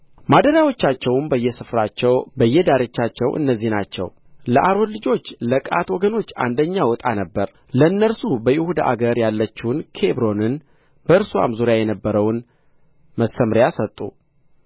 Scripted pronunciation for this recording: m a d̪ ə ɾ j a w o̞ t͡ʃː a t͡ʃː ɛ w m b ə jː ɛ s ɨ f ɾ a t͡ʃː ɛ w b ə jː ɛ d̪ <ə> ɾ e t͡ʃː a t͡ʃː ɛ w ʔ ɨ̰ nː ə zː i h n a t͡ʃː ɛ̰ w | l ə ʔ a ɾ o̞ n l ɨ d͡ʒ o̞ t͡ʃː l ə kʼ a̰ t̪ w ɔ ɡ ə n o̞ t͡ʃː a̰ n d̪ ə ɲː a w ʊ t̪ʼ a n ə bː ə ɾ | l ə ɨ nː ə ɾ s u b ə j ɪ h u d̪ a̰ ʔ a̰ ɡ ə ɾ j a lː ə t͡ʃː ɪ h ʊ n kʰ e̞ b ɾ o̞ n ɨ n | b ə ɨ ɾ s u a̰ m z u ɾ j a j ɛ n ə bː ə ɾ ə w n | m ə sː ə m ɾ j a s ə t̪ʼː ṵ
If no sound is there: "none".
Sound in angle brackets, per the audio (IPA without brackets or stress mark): a